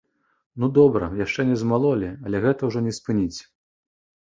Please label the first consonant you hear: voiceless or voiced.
voiced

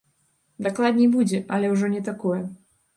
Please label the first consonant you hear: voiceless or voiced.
voiced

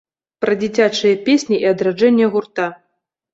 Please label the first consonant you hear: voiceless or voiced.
voiceless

